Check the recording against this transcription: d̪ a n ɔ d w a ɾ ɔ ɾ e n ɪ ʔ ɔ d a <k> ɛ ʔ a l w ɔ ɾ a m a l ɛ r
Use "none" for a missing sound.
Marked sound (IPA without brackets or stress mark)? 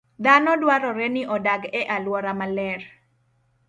ɡ